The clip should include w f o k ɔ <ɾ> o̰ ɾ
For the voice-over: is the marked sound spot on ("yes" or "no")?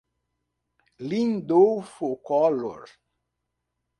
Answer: no